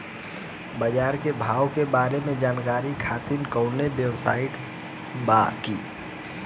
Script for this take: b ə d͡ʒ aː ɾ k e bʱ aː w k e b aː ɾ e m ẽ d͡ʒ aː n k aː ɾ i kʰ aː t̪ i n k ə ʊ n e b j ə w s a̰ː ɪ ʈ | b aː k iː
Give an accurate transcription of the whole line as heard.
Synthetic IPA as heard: b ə d͡ʒ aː ɾ k e bʱ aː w k e b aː ɾ e m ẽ d͡ʒ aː n k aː ɾ i kʰ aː t̪ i n k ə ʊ n e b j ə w s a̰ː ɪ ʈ | b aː k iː